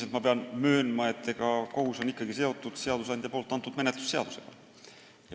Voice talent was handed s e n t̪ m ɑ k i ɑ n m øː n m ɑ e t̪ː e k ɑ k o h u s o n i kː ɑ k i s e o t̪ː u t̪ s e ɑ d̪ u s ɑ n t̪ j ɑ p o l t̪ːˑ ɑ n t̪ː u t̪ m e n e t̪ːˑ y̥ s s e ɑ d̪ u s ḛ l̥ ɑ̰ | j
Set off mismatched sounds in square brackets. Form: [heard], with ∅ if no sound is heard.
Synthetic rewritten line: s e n t̪ m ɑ [p] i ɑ n m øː n m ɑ e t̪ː e k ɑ k o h u s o n i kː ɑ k i s e o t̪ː u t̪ s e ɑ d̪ u s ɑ n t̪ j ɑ p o l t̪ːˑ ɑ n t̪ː u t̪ m e n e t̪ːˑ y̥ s s e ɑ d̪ u s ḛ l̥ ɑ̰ | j